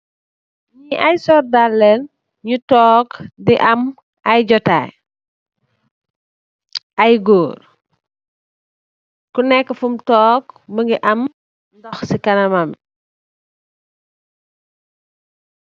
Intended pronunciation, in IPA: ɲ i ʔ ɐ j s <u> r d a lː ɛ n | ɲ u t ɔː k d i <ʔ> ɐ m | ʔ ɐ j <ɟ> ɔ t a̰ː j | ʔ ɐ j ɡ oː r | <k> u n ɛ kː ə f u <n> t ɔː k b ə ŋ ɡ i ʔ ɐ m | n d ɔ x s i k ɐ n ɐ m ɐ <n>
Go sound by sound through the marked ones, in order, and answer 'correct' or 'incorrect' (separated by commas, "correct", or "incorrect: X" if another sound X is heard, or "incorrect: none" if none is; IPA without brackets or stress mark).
incorrect: ɔ, correct, correct, correct, incorrect: m, incorrect: m